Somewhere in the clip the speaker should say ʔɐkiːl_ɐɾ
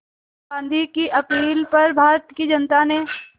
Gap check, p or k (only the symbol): p